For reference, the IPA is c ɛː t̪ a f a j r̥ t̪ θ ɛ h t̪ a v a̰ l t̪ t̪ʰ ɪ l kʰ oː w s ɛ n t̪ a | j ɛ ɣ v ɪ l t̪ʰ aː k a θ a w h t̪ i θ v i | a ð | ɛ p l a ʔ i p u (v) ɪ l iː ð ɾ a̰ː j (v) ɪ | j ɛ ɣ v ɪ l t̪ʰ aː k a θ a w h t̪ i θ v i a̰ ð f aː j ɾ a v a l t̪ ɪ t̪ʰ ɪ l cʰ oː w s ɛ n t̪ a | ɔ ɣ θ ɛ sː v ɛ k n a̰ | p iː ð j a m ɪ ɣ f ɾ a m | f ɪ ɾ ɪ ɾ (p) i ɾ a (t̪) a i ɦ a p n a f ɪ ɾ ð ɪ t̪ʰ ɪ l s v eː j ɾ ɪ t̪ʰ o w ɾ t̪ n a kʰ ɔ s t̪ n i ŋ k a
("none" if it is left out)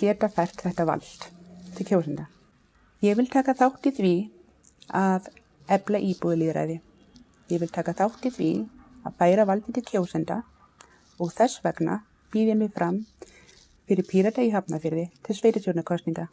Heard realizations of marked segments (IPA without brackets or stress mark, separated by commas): ð, ð, pʰ, t̪